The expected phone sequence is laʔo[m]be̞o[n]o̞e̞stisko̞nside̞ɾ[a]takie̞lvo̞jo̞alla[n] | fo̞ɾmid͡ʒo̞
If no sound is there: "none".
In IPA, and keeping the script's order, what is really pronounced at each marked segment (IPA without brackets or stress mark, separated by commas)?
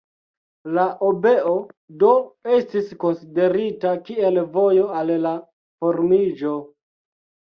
none, d, i, none